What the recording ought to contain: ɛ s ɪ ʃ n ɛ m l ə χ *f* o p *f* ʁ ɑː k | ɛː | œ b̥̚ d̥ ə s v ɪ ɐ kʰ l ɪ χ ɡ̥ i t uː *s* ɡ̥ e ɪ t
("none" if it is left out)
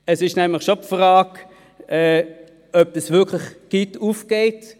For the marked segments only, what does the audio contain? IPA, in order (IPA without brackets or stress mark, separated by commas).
ʃ, f, f